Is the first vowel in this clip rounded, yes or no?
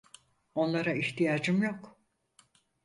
yes